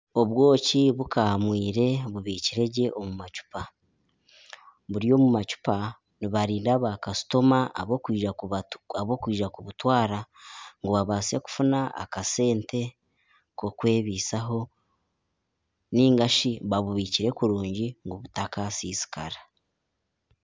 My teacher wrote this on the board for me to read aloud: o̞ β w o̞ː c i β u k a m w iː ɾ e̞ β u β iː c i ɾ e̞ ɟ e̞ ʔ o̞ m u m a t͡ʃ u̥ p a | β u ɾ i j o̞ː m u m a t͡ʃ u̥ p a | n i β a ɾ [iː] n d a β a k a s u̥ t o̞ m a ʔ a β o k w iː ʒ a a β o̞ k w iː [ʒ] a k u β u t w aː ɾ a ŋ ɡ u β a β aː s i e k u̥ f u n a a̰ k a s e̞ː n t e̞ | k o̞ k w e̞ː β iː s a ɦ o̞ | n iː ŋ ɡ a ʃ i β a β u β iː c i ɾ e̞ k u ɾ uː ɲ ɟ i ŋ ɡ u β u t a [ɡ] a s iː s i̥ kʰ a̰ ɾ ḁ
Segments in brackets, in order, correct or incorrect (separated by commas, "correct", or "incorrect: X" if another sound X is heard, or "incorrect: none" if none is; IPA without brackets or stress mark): correct, correct, incorrect: k